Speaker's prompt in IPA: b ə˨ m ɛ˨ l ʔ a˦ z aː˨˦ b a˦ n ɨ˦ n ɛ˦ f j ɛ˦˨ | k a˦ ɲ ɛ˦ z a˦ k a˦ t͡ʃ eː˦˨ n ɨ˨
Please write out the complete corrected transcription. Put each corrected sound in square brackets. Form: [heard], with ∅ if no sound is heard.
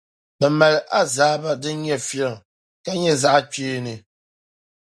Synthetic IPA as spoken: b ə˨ m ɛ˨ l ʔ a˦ z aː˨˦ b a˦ [d] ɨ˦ [ɲ] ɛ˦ f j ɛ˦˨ | k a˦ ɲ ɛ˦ z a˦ [ʔ] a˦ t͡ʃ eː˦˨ n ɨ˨